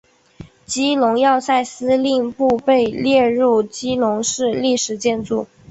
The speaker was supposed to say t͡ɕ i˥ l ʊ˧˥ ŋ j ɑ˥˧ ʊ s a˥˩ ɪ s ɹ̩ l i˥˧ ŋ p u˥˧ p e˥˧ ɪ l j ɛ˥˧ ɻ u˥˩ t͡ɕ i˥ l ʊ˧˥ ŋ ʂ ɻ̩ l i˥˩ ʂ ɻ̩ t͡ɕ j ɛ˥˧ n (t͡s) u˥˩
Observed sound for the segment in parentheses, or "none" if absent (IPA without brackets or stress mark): t͡s